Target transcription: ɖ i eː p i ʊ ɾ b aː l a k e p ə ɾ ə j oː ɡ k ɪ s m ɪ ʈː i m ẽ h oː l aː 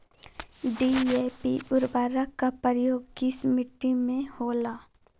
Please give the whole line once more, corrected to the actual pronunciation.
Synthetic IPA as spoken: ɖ i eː p i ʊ ɾ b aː ɾ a k a p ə ɾ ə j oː ɡ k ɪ s m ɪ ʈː i m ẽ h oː l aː